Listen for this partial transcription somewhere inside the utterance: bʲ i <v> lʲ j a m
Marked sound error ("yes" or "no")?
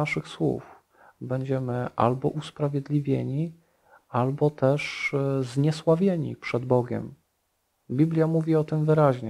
yes